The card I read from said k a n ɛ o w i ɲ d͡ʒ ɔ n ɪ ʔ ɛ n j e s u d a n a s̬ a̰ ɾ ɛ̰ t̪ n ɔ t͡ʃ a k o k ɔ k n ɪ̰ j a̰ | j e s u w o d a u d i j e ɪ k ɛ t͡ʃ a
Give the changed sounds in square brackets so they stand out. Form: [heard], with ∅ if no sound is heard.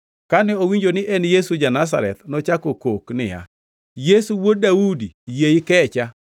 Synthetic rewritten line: k a n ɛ o w i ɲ d͡ʒ [o] n ɪ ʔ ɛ n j e s u [d͡ʒ] a n a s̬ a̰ ɾ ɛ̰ t̪ n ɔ t͡ʃ a k o k [o] k n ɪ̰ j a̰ | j e s u w o d a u d i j e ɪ k ɛ t͡ʃ a